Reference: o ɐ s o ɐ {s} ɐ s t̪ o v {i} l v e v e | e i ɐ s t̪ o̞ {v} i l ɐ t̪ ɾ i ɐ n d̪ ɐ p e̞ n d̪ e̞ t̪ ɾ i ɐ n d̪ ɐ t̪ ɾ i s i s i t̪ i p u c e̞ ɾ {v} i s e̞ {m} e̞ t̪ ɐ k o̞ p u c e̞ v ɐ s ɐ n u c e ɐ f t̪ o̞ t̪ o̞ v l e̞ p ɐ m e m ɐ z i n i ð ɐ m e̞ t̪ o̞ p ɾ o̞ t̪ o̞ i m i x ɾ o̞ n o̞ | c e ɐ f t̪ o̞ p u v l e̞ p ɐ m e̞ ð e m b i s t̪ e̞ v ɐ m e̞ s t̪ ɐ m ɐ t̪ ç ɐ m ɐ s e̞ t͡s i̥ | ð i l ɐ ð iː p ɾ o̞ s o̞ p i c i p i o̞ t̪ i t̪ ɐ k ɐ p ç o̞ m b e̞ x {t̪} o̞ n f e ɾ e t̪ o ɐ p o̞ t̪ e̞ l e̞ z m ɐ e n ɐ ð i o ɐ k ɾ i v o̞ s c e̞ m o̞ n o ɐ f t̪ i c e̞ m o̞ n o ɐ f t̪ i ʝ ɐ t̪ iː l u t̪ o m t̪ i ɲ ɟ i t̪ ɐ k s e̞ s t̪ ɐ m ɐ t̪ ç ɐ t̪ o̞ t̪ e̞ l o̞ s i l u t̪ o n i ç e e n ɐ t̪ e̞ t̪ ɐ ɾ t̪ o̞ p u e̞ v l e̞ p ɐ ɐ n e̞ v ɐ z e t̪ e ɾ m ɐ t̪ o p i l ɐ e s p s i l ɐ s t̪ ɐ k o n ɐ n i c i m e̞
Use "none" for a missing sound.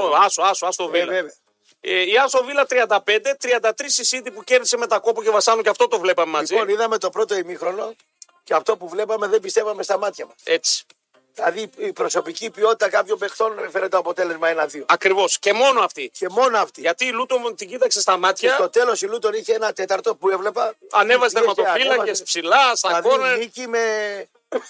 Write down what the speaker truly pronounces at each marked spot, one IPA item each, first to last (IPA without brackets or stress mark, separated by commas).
s, i, v, ð, m, t̪